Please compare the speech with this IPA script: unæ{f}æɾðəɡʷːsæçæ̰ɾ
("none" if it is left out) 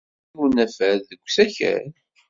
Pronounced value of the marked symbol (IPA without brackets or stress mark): f